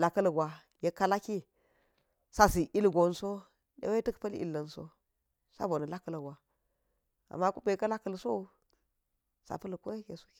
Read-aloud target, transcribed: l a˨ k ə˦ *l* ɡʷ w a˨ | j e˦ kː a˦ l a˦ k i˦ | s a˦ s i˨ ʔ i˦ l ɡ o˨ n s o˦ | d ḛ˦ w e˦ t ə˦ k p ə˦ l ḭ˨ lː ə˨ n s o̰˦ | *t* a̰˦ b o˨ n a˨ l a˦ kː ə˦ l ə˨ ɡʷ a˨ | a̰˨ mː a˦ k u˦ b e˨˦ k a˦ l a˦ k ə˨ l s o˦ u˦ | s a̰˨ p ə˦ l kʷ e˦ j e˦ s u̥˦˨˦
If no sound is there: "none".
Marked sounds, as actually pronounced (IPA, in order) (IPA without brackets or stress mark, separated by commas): l, s